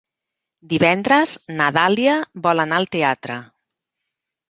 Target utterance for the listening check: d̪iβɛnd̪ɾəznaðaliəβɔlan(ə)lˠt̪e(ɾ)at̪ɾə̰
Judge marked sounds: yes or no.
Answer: no, no

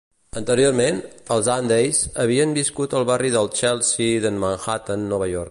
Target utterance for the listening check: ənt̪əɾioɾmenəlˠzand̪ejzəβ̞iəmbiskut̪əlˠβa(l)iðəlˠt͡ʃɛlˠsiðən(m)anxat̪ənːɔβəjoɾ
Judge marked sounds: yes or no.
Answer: no, yes

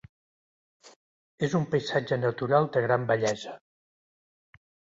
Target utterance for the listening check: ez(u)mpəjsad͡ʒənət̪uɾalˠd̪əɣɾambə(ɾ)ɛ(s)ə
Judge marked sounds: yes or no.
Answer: yes, no, no

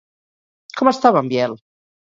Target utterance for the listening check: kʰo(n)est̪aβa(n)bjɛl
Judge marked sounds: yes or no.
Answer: no, no

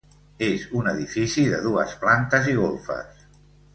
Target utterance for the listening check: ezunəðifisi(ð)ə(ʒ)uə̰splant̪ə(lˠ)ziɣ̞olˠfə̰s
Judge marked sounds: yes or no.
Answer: yes, no, no

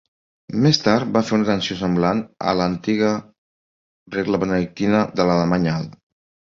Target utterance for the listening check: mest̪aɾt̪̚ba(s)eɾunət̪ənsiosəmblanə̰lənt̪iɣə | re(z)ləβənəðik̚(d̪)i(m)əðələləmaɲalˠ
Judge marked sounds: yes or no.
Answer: no, no, no, no

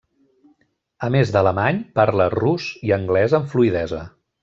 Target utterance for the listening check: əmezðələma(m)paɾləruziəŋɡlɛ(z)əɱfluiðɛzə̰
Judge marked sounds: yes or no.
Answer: no, yes

